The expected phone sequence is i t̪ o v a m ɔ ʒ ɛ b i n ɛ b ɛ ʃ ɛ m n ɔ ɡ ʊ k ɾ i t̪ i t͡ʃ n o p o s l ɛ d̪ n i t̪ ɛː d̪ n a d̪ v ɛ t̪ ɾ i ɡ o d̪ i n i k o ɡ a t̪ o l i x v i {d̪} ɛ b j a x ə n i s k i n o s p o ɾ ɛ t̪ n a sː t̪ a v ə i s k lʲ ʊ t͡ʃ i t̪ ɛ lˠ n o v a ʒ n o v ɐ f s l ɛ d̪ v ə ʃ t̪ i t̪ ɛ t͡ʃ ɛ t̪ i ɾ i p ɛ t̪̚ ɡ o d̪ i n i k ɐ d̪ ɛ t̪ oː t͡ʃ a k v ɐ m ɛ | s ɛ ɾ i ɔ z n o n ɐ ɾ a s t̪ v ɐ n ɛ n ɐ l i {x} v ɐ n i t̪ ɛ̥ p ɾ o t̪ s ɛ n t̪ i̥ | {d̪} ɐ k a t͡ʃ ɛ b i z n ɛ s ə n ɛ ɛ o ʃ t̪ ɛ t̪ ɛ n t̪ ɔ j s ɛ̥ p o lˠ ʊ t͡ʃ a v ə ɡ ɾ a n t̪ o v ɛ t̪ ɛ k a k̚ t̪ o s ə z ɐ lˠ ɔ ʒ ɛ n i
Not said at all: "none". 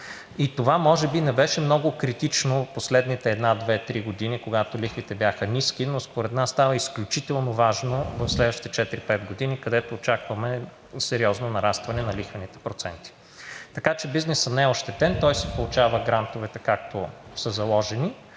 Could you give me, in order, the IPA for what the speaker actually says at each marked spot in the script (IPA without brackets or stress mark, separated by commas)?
t̪, x, t̪